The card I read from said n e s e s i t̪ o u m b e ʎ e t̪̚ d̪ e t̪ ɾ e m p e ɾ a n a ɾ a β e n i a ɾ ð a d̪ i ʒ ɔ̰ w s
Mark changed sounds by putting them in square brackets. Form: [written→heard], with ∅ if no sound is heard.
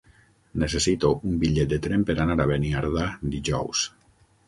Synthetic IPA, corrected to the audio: n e s e s i t̪ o u m b [e→i] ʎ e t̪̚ d̪ e t̪ ɾ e m p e ɾ a n a ɾ a β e n i a ɾ ð a d̪ i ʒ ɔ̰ w s

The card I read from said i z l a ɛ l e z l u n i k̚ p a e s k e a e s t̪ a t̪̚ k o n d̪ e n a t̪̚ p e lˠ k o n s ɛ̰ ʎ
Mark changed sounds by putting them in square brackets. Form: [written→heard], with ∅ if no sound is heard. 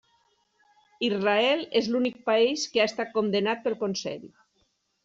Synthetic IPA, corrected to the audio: i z [l→r] a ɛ l e z l u n i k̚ p a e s k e a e s t̪ a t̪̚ k o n d̪ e n a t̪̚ p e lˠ k o n s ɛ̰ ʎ

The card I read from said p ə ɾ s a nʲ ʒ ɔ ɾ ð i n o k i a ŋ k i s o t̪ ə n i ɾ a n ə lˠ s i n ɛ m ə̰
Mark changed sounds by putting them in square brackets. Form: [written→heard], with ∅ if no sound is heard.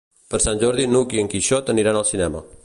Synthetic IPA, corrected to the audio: p ə ɾ s a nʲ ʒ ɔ ɾ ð i n [o→u] k i [a→ə] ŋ k i [s→ʃ] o t̪ ə n i ɾ a n ə lˠ s i n ɛ m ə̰

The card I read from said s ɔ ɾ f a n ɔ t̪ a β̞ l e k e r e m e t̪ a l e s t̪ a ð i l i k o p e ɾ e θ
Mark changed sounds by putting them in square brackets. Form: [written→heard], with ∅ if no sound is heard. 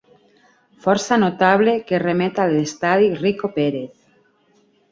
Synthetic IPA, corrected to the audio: [s→f] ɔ ɾ [f→s] a n [ɔ→o] t̪ a β̞ l e k e r e m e t̪ a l e s t̪ a ð i [l→r] i k o p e ɾ e θ

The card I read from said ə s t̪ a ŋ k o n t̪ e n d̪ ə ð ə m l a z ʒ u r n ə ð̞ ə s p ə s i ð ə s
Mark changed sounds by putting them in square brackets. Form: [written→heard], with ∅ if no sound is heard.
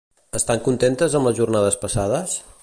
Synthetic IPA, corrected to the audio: ə s t̪ a ŋ k [o→u] n t̪ e n [d̪→t̪] ə [ð→z] ə m l [a→ə] z ʒ u r n [ə→a] ð̞ ə s p ə s [i→a] ð ə s

